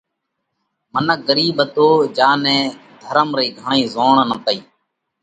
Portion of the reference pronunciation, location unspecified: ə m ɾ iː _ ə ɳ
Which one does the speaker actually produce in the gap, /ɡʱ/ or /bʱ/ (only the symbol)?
ɡʱ